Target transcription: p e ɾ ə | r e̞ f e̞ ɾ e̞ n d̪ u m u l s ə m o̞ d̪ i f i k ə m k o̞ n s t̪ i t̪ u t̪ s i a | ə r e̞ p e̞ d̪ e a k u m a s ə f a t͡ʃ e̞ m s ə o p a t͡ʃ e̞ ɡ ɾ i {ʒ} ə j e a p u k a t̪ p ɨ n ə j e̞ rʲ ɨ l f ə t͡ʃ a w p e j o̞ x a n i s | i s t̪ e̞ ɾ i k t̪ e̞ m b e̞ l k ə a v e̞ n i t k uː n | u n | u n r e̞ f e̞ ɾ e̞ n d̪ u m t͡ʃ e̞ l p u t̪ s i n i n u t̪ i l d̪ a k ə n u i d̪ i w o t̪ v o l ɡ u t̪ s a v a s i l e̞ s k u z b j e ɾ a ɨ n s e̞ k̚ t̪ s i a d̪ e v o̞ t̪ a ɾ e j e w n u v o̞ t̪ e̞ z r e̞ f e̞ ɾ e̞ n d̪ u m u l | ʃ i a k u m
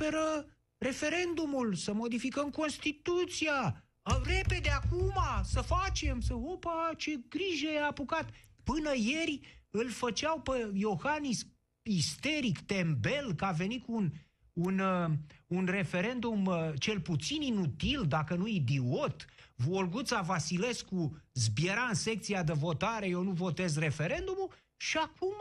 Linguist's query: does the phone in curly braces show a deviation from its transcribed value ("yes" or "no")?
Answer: no